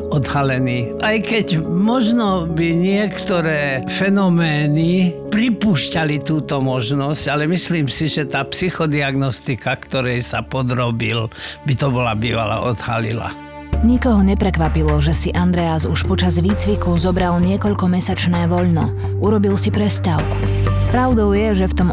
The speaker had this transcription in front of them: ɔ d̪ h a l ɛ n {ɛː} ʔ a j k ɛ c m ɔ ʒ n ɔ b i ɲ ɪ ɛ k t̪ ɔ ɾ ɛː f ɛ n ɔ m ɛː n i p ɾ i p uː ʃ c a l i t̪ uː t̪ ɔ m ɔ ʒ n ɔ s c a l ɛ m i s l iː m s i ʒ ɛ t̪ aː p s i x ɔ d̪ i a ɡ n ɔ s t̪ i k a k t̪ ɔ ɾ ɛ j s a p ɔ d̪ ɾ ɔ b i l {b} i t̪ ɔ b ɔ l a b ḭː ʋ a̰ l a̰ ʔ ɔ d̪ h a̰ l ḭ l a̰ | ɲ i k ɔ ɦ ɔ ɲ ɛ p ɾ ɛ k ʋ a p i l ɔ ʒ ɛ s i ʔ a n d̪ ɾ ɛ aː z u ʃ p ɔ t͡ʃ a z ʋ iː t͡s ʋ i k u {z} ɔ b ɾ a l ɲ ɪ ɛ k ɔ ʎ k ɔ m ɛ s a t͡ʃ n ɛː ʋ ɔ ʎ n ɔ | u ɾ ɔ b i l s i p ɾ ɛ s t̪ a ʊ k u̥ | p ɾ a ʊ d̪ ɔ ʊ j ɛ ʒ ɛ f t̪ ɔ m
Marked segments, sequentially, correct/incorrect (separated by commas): incorrect, correct, correct